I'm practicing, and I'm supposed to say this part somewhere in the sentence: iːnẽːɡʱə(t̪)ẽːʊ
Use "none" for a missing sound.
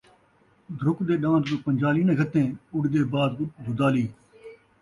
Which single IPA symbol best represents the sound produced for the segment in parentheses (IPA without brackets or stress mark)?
t̪